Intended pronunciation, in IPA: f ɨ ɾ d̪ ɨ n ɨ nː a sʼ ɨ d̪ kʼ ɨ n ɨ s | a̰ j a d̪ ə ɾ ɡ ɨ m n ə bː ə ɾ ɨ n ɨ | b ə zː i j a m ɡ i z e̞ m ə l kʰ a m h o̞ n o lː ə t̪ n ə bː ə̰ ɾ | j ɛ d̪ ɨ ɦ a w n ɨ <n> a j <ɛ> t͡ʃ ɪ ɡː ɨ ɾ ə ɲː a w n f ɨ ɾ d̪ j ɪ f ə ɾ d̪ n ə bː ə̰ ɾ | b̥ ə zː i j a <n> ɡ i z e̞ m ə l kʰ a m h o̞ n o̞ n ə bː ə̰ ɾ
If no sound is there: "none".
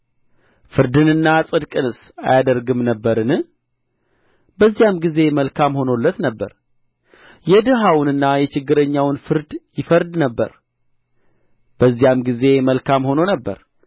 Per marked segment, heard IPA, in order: nː, ɛ, m

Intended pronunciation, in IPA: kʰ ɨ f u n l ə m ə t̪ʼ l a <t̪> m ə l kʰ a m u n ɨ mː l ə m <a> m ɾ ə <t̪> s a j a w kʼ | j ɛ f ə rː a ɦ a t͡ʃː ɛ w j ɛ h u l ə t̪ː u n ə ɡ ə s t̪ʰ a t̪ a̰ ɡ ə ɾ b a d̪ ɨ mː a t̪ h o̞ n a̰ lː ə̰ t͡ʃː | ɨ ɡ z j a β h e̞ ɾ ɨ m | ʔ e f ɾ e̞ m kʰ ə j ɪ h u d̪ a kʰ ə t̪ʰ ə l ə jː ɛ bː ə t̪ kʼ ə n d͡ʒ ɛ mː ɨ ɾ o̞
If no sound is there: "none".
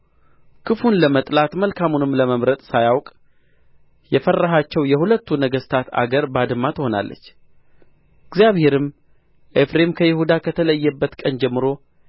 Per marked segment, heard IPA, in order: t̪, ə, t̪ʼ

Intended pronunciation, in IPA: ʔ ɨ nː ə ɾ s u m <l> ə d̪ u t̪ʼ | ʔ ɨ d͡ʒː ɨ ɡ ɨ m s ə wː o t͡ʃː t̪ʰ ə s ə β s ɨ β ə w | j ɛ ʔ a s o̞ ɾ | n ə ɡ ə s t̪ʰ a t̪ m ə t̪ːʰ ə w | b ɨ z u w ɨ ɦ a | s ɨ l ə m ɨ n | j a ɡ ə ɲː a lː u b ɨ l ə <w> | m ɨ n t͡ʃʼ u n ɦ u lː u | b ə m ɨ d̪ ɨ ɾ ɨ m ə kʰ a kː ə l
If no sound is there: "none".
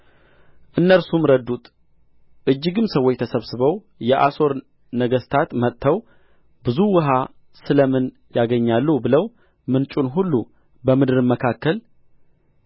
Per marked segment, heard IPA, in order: ɾ, w

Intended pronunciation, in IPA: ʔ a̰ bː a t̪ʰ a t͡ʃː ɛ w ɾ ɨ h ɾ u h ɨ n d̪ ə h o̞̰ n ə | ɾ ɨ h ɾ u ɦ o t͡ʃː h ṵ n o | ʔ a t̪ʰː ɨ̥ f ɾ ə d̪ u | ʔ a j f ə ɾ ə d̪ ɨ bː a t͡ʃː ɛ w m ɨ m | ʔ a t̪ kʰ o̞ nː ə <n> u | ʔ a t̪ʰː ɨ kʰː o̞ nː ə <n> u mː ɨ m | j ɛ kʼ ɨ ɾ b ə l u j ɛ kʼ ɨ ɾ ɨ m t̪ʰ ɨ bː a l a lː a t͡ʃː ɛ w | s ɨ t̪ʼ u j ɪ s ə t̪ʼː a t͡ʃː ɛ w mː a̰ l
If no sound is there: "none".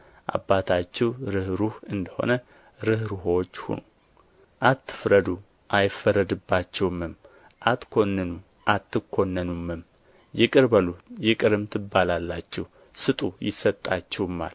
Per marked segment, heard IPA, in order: n, n

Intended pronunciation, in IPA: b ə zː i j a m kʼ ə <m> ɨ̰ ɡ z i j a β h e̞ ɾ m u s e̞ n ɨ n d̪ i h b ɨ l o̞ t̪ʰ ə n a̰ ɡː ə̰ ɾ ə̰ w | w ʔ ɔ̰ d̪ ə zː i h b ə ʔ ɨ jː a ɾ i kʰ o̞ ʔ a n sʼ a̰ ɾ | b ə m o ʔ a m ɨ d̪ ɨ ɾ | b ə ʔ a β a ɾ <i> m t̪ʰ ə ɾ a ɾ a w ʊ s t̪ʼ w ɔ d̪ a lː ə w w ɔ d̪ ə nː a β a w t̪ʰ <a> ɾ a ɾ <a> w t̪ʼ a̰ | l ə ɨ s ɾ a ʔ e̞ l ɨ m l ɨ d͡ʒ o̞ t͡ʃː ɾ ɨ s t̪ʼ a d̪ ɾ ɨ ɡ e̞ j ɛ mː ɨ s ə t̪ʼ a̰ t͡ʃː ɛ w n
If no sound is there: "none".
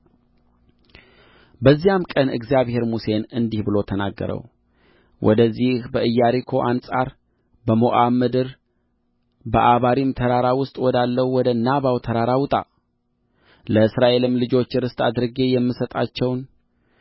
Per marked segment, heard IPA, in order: n, i, ə, a

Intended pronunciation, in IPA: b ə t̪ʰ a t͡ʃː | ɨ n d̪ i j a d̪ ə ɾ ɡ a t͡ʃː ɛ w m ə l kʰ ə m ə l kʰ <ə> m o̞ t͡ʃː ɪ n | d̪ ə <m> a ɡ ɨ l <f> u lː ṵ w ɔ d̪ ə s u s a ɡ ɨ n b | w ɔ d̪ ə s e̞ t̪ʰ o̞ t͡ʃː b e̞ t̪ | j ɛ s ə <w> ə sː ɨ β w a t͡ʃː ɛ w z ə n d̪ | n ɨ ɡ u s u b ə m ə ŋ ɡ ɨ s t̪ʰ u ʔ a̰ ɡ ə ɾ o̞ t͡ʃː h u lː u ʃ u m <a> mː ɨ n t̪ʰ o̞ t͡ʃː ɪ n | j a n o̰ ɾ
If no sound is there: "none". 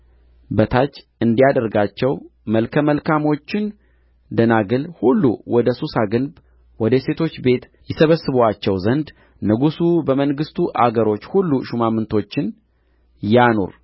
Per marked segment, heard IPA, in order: a, n, h, β, a

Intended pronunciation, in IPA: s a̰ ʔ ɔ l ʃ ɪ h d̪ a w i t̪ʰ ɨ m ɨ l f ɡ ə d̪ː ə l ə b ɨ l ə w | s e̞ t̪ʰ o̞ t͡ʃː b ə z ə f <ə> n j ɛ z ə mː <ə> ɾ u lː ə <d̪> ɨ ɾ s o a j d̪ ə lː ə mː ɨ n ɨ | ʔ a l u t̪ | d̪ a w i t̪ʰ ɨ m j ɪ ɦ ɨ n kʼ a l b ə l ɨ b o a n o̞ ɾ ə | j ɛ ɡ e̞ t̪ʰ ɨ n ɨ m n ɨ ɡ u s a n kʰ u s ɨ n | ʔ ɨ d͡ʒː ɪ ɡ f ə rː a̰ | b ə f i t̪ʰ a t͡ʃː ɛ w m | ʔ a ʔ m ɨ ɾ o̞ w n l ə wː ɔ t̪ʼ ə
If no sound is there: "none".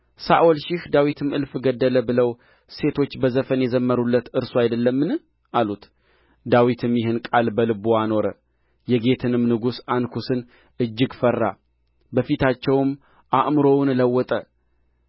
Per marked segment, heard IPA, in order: ə, ə, t̪

